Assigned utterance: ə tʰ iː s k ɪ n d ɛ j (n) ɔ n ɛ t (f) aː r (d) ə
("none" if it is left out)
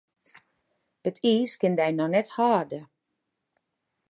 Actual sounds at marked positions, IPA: n, h, d

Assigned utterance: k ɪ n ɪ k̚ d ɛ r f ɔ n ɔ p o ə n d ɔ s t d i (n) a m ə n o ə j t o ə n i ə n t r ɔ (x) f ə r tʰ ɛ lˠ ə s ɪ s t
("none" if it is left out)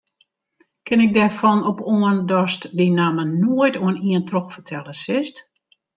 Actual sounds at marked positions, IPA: n, x

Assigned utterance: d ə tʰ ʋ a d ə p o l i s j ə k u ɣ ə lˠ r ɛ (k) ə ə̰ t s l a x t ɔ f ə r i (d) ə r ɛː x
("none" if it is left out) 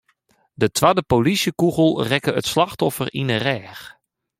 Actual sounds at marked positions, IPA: k, n

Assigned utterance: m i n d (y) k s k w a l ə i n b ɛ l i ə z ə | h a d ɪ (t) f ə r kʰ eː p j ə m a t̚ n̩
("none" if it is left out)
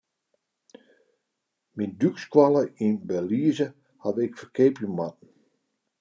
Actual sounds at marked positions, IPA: y, k

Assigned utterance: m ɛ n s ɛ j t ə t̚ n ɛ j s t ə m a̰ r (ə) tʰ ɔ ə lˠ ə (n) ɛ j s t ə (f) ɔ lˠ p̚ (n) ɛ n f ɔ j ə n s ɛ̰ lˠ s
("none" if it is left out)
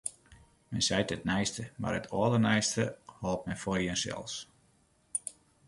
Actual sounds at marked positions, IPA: ə, n, h, m

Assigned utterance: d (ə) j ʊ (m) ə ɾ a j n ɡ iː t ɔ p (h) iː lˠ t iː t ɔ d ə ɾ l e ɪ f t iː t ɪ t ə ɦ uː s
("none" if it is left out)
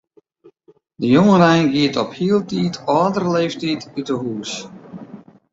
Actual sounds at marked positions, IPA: ə, ŋ, h

